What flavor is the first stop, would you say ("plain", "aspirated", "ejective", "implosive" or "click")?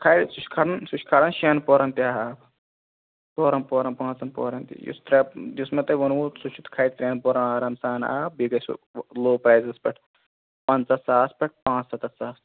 aspirated